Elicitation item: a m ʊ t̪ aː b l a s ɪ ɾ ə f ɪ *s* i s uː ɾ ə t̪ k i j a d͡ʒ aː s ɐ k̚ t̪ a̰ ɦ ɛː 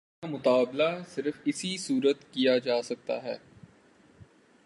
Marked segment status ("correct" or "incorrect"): correct